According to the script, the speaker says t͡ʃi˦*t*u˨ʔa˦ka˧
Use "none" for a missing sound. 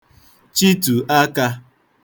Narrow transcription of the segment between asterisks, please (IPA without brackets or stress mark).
t